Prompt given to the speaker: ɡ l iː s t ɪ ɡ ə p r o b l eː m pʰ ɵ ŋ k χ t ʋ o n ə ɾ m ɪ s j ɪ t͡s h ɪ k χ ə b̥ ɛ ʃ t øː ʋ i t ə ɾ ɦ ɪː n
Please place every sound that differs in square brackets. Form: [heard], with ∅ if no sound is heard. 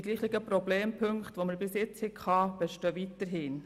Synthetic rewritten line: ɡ l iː [χ] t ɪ ɡ ə p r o b l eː m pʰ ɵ ŋ k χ t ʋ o [m] ə ɾ [b] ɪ s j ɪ t͡s h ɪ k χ [ɑ] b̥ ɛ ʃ t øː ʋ i t ə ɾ ɦ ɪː n